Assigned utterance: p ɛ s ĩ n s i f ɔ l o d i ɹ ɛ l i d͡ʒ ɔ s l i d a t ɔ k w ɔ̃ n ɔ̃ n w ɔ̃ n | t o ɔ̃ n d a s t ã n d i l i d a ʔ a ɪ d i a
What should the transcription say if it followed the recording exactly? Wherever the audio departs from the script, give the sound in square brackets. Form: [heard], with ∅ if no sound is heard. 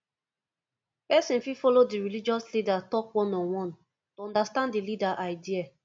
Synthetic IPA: p ɛ s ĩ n [f] i f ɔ l o d i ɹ [i] l i d͡ʒ ɔ s l i d a t ɔ k w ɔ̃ n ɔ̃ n w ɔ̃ n | t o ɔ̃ n d a s t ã n d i l i d a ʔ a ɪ d i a